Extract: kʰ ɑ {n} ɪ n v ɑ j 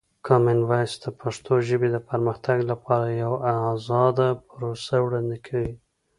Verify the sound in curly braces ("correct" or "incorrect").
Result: incorrect